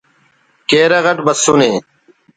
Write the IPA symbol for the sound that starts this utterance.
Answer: k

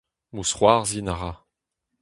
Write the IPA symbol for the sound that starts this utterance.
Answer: m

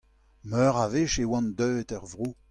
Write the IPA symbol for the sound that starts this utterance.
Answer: m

